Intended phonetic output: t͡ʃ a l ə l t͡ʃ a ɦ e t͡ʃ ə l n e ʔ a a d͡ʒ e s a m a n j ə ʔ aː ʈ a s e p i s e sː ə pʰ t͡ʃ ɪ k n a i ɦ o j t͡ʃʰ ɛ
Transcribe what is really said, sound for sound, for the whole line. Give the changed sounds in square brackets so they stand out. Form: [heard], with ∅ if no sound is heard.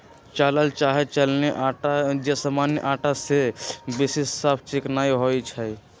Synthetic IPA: t͡ʃ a l ə l t͡ʃ a ɦ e t͡ʃ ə l n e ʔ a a d͡ʒ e s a m a n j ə ʔ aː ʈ a s e [b] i s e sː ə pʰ t͡ʃ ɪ k n a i ɦ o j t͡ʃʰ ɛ